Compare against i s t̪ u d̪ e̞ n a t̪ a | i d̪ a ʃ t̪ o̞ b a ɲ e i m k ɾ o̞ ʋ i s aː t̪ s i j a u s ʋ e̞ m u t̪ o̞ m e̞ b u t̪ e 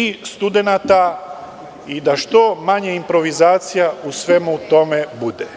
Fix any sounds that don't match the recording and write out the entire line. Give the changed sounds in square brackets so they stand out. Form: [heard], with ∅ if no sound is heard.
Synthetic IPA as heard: i s t̪ u d̪ e̞ n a t̪ a | i d̪ a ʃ t̪ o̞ [m] a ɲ e i m [p] ɾ o̞ ʋ i [z] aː t̪ s i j a u s ʋ e̞ m u t̪ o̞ m e̞ b u [d̪] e